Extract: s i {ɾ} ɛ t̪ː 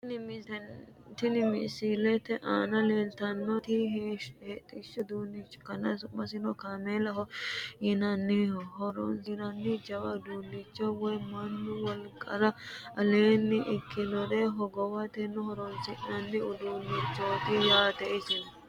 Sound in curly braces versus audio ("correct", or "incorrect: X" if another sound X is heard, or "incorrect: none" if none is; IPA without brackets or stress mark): incorrect: l